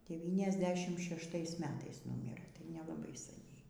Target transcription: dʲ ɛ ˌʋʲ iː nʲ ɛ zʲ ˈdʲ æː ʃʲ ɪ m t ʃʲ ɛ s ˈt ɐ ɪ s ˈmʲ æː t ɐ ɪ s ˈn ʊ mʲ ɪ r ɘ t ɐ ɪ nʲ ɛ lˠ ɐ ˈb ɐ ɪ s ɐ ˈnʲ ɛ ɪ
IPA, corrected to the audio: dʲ ɛ ˌʋʲ iː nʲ ɛ zʲ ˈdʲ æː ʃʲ ɪ m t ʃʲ ɛ ʃ ˈt ɐ ɪ s ˈmʲ æː t ɐ ɪ s ˈn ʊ mʲ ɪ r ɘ t ɐ ɪ nʲ ɛ lˠ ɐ ˈb ɐ ɪ s ɐ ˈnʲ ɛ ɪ